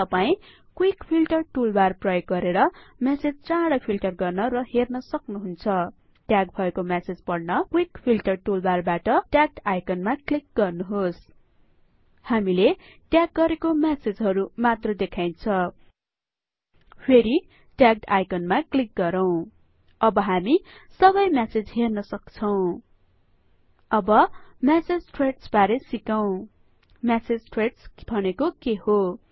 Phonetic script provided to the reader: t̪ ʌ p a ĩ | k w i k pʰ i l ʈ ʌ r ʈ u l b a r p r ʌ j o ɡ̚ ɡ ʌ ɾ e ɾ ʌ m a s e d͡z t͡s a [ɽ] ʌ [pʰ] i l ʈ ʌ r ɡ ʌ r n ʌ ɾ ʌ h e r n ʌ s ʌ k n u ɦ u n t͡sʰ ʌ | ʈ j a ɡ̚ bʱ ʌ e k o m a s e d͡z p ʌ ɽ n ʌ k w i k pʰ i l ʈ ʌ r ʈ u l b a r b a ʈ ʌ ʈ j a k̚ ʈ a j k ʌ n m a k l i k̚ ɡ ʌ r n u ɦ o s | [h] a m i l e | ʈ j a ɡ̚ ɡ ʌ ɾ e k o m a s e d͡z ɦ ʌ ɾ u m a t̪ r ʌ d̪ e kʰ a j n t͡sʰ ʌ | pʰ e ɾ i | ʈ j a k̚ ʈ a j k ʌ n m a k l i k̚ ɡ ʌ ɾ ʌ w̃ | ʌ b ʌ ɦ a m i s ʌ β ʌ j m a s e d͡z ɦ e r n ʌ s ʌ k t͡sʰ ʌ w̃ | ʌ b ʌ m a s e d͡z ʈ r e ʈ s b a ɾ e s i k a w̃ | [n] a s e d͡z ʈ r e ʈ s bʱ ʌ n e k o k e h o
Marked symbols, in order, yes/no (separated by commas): yes, yes, yes, no